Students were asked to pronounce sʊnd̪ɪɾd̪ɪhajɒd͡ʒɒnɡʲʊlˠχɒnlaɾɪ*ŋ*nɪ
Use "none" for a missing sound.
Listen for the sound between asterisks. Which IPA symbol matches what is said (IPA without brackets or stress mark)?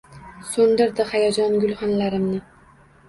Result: m